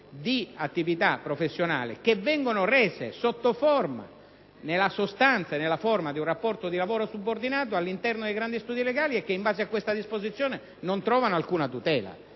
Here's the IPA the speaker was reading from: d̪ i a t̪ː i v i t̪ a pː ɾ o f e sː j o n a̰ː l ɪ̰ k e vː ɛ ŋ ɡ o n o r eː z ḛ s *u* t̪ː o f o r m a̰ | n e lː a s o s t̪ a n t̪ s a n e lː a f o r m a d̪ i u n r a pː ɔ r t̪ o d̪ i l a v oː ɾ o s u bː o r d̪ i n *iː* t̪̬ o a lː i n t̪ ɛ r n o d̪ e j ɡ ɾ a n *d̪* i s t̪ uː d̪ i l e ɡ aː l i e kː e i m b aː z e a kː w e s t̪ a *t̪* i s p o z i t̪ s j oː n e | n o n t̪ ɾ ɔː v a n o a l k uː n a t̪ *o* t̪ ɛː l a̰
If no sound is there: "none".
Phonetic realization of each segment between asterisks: o, aː, d̪, d̪, u

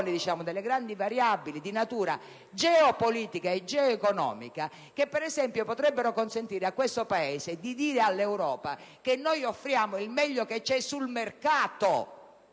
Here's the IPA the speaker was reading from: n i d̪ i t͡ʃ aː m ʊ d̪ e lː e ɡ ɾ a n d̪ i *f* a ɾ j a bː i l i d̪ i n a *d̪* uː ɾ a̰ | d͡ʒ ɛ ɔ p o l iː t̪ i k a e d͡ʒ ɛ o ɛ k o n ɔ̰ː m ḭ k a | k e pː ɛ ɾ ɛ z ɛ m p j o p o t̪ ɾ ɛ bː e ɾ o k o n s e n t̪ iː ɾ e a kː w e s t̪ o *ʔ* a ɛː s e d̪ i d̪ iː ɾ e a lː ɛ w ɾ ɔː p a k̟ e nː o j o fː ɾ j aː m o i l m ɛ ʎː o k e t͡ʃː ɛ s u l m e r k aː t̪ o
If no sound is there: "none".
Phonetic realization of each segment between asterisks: v, t̪, p

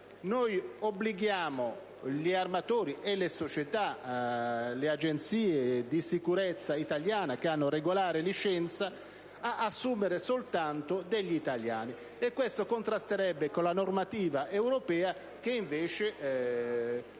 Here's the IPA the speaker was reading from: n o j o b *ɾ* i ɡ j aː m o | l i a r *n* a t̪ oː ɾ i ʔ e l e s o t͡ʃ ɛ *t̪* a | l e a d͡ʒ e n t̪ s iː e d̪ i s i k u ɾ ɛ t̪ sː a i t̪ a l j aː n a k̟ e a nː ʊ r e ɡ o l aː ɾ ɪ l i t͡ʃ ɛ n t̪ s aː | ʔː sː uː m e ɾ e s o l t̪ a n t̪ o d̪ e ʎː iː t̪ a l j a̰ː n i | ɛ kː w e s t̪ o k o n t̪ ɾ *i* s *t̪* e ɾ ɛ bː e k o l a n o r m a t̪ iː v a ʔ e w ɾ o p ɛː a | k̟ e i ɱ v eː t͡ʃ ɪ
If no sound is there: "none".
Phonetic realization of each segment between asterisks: l, m, t̪, a, t̪

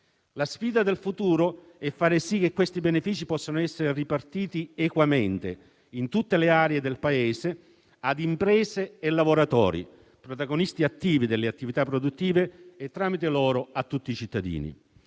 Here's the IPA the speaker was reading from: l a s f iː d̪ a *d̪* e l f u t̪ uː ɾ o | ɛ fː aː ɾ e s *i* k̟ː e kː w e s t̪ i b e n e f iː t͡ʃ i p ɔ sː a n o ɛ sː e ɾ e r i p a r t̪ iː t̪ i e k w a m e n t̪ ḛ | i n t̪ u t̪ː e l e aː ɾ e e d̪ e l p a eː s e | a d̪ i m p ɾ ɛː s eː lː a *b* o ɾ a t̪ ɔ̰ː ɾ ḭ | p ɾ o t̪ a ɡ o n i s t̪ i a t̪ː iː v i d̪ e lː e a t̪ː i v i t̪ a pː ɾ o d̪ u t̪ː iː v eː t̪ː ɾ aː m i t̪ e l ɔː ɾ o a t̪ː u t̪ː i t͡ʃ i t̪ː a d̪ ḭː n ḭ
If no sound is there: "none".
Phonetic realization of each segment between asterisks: d̪, i, v

